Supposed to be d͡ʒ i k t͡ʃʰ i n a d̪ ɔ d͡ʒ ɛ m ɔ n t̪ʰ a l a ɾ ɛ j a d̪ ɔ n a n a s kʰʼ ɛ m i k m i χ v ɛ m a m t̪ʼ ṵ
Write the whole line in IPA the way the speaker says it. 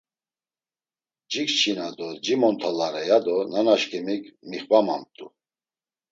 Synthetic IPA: d͡ʒ i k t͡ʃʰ i n a d̪ ɔ d͡ʒ i m ɔ n t̪ʰ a l a ɾ ɛ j a d̪ ɔ n a n a ʃ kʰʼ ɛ m i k m i χ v a m a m t̪ʼ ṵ